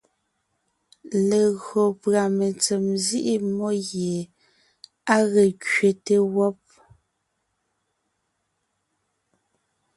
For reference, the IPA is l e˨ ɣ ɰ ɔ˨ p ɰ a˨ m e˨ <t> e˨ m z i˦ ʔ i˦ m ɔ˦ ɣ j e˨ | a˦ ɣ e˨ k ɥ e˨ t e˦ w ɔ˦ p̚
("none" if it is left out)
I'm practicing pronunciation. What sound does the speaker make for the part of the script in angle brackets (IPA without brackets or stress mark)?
t͡s